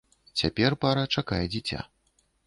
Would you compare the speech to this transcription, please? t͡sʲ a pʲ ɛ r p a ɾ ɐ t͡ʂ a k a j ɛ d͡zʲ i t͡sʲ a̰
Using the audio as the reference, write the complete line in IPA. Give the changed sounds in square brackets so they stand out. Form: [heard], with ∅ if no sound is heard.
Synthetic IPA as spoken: t͡sʲ a pʲ ɛ r p a ɾ ɐ t͡ʂ a k a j ɛ d͡zʲ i t͡sʲ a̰